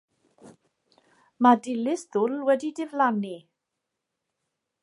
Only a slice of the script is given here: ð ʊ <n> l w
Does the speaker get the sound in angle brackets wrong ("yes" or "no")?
yes